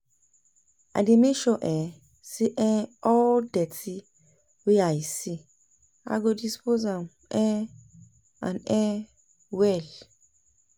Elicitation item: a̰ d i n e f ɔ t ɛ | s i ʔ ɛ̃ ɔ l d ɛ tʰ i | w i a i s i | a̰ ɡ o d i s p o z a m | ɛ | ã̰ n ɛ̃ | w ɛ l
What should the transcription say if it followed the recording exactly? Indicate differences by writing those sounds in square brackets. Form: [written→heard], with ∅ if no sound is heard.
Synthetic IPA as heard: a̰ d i [n→m] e [f→ʃ] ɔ [t→ʔ] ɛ | s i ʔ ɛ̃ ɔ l d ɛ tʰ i | w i a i s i | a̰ ɡ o d i s p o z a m | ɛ | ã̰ n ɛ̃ | w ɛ l